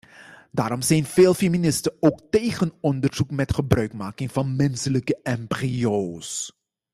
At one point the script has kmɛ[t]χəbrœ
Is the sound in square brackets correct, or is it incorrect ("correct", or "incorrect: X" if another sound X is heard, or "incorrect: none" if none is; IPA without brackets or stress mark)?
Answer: correct